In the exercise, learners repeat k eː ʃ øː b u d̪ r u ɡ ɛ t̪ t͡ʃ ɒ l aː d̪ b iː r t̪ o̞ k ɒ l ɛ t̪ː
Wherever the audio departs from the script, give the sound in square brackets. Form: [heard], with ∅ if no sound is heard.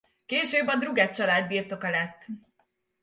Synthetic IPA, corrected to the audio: k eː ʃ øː b [ɒ] d̪ r u ɡ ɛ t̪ t͡ʃ ɒ l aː d̪ b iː r t̪ o̞ k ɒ l ɛ t̪ː

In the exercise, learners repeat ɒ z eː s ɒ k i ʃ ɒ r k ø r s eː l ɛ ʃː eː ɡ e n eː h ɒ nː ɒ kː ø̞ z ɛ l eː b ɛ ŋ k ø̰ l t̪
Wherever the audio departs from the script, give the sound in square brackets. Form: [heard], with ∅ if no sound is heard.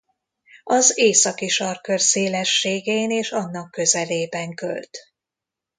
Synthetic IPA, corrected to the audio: ɒ z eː s ɒ k i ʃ ɒ r k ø r s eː l ɛ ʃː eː ɡ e n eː [ʃ] ɒ nː ɒ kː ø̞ z ɛ l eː b ɛ ŋ k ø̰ l t̪

